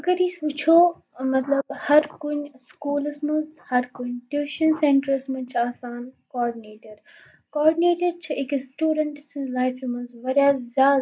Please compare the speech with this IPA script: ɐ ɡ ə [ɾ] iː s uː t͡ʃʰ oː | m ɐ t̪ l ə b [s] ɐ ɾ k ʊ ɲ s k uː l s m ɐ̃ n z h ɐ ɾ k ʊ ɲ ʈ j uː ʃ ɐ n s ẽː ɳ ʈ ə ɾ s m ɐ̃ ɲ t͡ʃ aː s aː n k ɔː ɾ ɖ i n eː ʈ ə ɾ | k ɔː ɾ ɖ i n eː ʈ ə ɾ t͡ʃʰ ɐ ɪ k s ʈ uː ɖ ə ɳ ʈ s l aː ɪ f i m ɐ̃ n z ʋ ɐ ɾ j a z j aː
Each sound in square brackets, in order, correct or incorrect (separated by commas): correct, incorrect